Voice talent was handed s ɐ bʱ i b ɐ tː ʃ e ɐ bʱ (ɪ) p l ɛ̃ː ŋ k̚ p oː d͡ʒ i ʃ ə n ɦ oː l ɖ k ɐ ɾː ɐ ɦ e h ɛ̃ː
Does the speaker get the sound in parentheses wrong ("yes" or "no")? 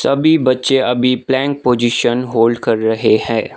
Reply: yes